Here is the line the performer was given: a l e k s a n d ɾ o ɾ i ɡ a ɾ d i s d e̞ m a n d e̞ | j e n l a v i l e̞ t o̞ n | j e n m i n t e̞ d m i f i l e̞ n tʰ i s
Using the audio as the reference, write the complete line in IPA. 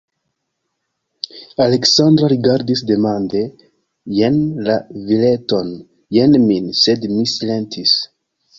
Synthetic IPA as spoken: a l e k s a n d ɾ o ɾ i ɡ a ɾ d i s d e̞ m a n d e̞ | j e n l a v i l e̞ t o̞ n | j e n m i n s e̞ d m i s i l e̞ n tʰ i s